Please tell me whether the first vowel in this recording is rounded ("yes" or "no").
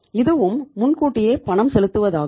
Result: no